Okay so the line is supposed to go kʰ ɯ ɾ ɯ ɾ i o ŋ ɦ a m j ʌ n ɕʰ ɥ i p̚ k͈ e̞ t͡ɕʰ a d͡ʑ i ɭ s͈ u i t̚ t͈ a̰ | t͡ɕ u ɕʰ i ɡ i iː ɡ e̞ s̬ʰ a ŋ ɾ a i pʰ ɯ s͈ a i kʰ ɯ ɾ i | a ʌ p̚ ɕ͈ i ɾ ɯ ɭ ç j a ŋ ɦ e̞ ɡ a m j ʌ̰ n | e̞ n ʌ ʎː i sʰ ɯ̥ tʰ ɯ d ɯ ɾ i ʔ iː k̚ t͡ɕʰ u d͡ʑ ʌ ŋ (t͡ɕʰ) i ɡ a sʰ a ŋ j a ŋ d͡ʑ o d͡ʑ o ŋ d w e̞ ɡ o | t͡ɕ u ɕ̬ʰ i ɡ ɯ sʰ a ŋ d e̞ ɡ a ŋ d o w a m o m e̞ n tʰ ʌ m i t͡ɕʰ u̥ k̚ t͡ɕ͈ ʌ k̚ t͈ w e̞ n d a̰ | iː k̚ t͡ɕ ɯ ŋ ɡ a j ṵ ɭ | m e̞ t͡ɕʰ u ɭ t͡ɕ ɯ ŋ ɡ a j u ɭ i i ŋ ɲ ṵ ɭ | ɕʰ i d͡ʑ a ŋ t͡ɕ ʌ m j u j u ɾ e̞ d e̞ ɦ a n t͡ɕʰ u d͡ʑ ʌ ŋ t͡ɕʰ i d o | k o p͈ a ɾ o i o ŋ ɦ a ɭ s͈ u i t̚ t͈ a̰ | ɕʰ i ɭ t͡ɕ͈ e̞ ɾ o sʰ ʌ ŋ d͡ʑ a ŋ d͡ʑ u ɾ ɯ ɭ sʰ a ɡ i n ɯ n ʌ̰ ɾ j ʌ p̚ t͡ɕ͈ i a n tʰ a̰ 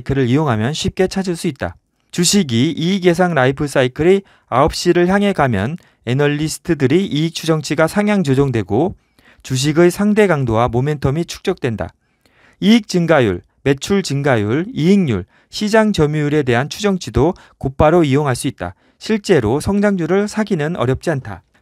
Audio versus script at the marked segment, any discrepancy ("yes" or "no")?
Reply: no